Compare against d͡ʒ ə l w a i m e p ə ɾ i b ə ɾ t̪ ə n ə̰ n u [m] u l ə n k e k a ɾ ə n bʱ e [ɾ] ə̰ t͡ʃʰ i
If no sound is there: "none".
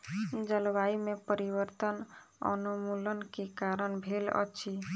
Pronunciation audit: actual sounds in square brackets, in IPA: m, l

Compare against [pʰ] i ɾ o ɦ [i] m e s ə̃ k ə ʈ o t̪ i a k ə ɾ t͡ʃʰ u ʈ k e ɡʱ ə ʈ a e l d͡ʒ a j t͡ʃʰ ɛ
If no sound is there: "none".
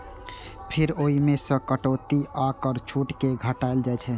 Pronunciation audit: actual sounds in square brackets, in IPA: pʰ, i

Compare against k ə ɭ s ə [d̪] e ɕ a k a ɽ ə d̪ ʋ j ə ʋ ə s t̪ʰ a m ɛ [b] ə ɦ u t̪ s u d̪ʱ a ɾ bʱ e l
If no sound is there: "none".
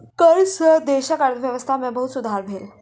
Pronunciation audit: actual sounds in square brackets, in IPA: d̪, b

